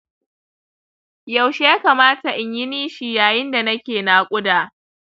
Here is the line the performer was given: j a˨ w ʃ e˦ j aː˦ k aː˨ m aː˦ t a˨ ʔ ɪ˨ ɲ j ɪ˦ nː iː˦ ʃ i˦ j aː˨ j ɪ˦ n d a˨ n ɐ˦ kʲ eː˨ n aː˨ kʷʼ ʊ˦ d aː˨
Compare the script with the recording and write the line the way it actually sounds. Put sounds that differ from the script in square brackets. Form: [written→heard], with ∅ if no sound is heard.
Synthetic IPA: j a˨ w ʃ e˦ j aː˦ k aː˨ m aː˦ t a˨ ʔ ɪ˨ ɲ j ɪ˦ [nː→n] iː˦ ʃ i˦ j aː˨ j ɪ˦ n d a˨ n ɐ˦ kʲ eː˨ n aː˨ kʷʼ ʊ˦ d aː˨